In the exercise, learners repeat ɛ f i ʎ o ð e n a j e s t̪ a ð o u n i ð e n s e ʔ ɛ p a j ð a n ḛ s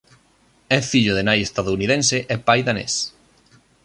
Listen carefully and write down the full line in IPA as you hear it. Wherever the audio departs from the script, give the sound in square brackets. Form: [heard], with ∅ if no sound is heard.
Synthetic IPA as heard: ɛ f i ʎ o ð e n a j e s t̪ a ð o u n i ð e n s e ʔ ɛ p a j ð a n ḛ s